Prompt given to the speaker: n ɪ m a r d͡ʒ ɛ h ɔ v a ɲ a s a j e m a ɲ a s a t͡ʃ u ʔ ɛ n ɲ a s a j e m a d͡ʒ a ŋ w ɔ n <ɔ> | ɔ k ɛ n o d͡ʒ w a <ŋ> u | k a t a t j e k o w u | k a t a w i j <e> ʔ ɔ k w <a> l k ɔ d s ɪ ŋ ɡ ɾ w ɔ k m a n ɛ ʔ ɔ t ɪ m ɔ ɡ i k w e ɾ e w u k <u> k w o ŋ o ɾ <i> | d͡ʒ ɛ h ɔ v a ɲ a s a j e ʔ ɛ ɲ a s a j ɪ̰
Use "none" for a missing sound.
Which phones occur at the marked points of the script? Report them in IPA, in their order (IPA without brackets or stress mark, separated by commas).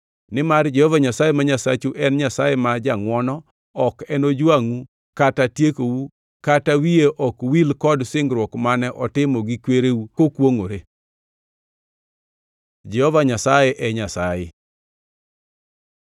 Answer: ɔ, ŋ, e, i, o, e